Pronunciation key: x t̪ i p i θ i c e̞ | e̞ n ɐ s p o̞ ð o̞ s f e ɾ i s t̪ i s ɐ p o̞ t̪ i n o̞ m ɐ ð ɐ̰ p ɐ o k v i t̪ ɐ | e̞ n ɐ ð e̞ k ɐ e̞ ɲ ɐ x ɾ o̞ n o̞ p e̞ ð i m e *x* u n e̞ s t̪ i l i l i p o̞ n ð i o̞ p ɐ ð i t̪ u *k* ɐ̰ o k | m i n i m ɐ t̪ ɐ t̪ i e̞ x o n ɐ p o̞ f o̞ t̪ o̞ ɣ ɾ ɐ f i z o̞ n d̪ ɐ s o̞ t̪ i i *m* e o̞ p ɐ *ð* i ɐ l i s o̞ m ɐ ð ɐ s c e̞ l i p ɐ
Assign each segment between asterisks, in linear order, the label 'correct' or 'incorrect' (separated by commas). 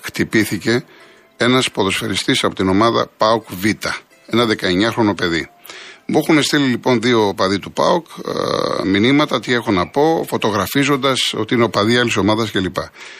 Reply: correct, incorrect, incorrect, correct